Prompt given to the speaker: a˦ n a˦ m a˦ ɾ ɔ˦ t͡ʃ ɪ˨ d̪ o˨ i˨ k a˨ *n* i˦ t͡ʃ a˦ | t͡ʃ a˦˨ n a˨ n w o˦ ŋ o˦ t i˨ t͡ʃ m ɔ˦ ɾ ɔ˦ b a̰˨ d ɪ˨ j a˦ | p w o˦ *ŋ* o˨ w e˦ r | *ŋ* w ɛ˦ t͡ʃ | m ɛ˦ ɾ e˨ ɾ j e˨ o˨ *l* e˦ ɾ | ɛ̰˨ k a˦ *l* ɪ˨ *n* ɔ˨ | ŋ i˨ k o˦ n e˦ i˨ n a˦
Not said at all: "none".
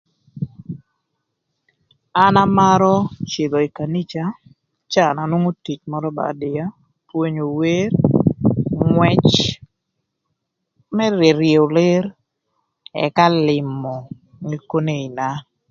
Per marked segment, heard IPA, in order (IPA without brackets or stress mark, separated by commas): n, ɲ, ŋ, l, l, m